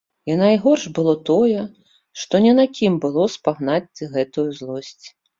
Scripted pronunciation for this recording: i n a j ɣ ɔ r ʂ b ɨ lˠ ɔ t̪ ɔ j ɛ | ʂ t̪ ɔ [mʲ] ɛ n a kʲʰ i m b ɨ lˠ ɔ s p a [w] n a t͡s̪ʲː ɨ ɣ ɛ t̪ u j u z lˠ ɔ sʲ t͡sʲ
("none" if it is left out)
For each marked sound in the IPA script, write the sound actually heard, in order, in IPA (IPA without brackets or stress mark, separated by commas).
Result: nʲ, ɣ